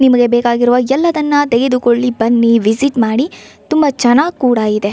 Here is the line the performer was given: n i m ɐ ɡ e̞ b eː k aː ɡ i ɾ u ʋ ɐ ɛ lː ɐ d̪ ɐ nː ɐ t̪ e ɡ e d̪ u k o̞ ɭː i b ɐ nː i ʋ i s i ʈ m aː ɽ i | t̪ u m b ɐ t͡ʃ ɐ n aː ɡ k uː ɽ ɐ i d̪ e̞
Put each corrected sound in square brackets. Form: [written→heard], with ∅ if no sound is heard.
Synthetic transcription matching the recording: n i m ɐ ɡ e̞ b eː k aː ɡ i ɾ u ʋ ɐ ɛ lː ɐ d̪ ɐ nː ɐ t̪ e ɡ e d̪ u k o̞ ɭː i b ɐ nː i ʋ i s i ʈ m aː ɽ i | t̪ u m b ɐ t͡ʃ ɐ n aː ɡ k uː ɽ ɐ i d̪ e̞